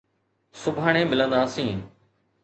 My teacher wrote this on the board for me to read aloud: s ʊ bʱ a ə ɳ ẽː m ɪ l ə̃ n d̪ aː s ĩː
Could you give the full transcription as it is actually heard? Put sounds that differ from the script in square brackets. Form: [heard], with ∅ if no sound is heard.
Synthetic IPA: s ʊ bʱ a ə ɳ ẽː m ɪ l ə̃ n d̪ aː s ĩː